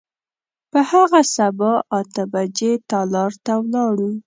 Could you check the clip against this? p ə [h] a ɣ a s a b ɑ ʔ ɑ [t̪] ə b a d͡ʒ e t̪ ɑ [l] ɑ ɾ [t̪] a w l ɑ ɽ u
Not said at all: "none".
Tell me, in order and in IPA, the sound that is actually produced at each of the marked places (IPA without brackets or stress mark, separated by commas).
h, t̪, l, t̪